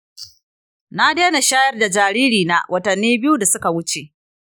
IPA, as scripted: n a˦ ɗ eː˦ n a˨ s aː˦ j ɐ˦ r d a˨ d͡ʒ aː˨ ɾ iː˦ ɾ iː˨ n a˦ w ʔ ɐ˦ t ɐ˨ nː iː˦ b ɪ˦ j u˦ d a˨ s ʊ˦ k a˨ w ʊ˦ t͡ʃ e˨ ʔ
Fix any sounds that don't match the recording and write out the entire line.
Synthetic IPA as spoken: n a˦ d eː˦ n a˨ ʃ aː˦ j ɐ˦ r d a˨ d͡ʒ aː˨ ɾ iː˦ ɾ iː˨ n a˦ w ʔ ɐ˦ t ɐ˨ nː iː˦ b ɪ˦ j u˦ d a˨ s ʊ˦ k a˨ w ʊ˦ t͡ʃ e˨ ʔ